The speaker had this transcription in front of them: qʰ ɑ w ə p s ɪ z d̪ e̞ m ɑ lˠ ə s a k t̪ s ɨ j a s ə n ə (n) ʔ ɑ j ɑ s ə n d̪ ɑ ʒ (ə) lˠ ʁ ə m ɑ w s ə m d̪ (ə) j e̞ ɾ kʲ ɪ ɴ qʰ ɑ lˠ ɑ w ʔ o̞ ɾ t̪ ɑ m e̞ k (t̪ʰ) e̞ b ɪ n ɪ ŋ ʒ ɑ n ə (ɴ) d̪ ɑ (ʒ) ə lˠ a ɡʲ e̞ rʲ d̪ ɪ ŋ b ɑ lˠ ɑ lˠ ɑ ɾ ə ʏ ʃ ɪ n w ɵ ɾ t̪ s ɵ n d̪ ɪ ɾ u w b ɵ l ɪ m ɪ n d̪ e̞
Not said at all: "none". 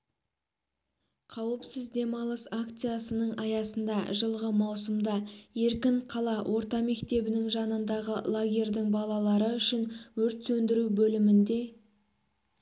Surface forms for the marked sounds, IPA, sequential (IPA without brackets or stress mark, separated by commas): ɴ, ə, ɑ, t̪, n, ʁ